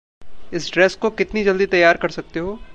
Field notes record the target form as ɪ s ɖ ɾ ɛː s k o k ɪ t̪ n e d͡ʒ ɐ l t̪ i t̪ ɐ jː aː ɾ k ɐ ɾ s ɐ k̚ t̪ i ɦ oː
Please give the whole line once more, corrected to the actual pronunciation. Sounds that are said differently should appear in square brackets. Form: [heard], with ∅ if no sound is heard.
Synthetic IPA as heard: ɪ s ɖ ɾ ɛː s k o k ɪ t̪ n [i] d͡ʒ ɐ l [d̪] i t̪ ɐ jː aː ɾ k ɐ ɾ s ɐ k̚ t̪ [e] ɦ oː